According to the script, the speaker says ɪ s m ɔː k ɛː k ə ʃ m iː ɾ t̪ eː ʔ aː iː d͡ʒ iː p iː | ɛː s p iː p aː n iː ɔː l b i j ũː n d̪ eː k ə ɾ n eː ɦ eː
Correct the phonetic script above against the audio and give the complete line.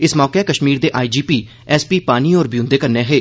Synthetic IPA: ɪ s m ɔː k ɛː k ə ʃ m iː ɾ d̪ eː ʔ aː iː d͡ʒ iː p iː | ɛː s p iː p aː n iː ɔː ɾ b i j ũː n d̪ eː k ə ɾ n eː ɦ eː